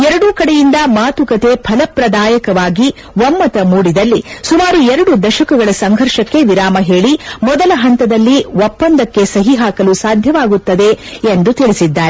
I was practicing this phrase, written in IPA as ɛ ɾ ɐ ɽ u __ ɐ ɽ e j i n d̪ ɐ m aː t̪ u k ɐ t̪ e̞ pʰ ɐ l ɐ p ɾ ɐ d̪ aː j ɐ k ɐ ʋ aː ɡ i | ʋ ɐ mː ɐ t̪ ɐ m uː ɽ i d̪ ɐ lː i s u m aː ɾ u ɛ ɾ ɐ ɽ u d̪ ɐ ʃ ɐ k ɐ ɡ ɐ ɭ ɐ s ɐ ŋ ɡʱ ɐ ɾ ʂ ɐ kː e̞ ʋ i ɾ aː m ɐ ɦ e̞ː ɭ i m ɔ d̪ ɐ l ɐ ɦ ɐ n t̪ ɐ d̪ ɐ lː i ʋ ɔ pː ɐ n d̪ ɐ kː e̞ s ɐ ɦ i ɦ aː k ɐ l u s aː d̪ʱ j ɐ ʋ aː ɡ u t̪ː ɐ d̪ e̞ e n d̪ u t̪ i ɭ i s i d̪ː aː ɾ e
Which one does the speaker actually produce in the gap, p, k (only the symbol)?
k